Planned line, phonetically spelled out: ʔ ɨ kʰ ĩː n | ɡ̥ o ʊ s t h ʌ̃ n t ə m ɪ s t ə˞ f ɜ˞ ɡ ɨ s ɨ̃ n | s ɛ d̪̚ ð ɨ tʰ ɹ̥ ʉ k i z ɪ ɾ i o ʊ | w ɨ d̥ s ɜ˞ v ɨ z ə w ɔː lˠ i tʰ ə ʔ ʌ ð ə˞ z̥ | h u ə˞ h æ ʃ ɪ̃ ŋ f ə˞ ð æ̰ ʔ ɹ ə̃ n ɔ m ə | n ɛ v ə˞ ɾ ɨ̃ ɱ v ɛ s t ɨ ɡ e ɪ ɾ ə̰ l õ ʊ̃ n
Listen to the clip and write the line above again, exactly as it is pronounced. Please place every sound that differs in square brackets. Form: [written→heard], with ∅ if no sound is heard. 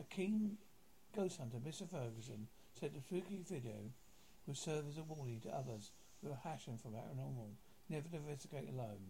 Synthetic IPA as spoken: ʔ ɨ kʰ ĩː n | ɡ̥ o ʊ s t h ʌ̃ n t ə m ɪ s t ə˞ f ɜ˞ ɡ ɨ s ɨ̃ n | s ɛ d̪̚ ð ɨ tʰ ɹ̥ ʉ k i [z→v] ɪ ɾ i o ʊ | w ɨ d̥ s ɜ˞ v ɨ z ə w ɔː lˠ i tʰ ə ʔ ʌ ð ə˞ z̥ | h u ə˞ h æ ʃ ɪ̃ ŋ f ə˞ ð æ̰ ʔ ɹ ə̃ n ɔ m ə | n ɛ v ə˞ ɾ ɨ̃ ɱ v ɛ s t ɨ ɡ e ɪ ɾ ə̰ l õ ʊ̃ n